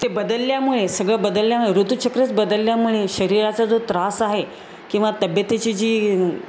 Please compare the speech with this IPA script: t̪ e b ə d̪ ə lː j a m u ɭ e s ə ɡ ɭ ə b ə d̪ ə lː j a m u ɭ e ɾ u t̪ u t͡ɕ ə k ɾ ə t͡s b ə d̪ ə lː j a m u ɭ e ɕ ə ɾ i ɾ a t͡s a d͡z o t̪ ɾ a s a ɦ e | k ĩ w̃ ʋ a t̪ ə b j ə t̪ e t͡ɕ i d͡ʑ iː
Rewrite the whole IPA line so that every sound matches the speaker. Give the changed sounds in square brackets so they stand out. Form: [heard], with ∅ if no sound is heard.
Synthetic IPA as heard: t̪ e b ə d̪ ə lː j a m u ɭ e s ə ɡ ɭ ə b ə d̪ ə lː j a m u ɭ e ɾ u t̪ u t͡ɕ ə k ɾ ə t͡s b ə d̪ ə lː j a m u ɭ e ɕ ə ɾ i ɾ a t͡s a d͡z o t̪ ɾ a s a ɦ e | k ĩ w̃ ʋ a t̪ ə b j ə t̪ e t͡ɕ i d͡ʑ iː